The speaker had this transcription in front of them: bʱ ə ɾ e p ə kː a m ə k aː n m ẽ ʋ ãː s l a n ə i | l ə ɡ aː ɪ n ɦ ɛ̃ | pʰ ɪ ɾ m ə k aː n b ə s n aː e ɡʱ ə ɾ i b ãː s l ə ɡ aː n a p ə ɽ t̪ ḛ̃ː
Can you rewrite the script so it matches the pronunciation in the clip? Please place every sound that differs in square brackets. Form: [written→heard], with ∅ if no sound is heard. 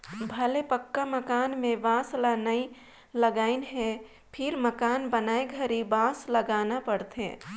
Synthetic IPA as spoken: bʱ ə [ɾ→l] e p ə kː a m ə k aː n m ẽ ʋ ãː s l a n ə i | l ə ɡ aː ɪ n ɦ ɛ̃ | pʰ ɪ ɾ m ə k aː n b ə [s→∅] n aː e ɡʱ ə ɾ i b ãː s l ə ɡ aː n a p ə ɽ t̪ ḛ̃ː